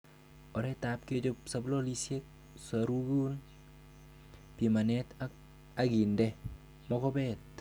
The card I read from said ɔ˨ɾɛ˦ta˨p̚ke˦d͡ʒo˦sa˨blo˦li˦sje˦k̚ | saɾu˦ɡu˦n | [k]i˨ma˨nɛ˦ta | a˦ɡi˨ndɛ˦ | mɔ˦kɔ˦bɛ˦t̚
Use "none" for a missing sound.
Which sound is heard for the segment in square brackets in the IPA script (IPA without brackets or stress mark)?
p